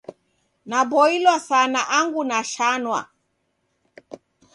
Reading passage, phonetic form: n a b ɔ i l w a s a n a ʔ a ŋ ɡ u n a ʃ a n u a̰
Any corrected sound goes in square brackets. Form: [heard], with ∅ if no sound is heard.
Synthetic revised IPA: n a b ɔ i l w a s a n a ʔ a ŋ ɡ u n a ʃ a n [w] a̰